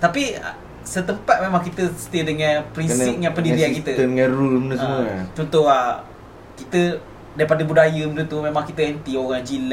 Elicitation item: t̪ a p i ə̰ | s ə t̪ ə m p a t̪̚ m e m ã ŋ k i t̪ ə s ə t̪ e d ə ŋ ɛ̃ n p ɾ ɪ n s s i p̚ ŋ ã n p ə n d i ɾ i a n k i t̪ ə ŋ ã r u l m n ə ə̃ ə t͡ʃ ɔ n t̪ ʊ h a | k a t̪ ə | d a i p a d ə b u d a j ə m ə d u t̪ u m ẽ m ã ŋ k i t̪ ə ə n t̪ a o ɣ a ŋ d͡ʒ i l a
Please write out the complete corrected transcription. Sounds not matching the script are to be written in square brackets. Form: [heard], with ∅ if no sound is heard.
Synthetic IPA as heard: t̪ a p i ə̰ | s ə t̪ ə m p a t̪̚ m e m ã ŋ k i t̪ ə s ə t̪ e d ə ŋ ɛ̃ n p ɾ [i] n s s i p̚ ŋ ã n p ə n d i ɾ i a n k i t̪ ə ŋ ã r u l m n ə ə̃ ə t͡ʃ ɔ n t̪ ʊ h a | k [i] t̪ ə | d a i p a d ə b u d a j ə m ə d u t̪ u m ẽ m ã ŋ k i t̪ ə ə n t̪ [i] o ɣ a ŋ d͡ʒ i l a